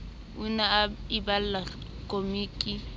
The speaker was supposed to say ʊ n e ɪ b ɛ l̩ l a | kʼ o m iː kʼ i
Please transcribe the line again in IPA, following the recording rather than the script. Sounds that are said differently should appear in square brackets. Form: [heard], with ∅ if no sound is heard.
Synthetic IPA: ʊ n [a] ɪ b [a] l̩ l a | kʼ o m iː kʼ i